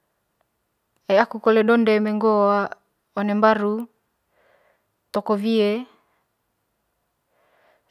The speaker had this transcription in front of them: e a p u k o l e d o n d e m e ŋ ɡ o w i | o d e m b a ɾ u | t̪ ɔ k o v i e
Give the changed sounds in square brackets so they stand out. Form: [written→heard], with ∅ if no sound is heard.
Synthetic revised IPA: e a [p→k] u k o l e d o n d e m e ŋ ɡ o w [i→a] | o [d→n] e m b a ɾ u | t̪ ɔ k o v i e